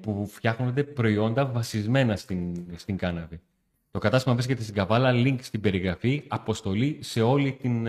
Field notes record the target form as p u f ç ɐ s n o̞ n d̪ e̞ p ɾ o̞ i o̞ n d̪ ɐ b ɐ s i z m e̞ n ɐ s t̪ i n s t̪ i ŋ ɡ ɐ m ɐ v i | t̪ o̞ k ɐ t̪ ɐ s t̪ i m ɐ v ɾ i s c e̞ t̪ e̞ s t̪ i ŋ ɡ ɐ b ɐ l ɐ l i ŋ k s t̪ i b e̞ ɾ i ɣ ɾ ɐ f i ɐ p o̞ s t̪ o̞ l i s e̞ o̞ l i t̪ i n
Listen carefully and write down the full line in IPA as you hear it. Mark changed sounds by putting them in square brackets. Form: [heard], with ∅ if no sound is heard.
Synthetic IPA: p u f ç ɐ [x] n o̞ n d̪ e̞ p ɾ o̞ i o̞ n d̪ ɐ [v] ɐ s i z m e̞ n ɐ s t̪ i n s t̪ i ŋ ɡ ɐ [n] ɐ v i | t̪ o̞ k ɐ t̪ ɐ s t̪ i m ɐ v ɾ i s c e̞ t̪ e̞ s t̪ i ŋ ɡ ɐ [v] ɐ l ɐ l i ŋ k s t̪ i b e̞ ɾ i ɣ ɾ ɐ f i ɐ p o̞ s t̪ o̞ l i s e̞ o̞ l i t̪ i n